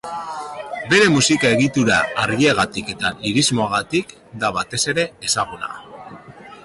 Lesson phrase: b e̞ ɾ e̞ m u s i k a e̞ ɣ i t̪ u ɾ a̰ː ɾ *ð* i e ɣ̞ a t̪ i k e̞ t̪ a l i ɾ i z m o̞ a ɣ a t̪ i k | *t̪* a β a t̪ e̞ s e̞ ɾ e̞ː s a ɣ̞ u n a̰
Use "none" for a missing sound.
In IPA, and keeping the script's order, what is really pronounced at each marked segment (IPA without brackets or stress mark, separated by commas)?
ɣ, d̪